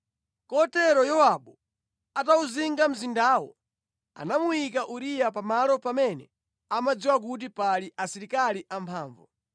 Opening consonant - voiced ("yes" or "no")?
no